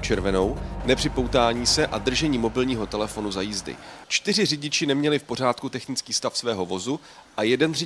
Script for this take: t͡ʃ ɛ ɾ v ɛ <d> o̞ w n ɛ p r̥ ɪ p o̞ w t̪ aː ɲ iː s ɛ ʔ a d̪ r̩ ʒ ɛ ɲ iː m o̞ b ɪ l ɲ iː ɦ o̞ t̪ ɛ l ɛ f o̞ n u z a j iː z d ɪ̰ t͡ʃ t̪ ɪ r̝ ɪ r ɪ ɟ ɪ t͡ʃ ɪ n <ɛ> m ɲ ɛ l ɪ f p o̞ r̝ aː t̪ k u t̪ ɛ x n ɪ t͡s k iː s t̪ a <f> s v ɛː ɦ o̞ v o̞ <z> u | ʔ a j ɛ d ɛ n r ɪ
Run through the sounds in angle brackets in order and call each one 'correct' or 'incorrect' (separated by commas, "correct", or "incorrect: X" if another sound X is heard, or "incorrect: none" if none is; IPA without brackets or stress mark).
incorrect: n, correct, correct, correct